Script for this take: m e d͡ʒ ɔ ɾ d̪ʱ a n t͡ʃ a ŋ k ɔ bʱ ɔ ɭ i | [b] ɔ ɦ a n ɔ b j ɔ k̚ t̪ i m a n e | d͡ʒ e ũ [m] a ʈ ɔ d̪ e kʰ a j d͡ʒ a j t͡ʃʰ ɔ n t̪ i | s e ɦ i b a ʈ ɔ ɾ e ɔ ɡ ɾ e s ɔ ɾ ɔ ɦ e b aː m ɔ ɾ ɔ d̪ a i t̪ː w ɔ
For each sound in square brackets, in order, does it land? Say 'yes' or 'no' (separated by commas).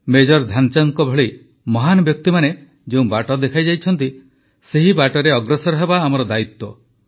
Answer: no, no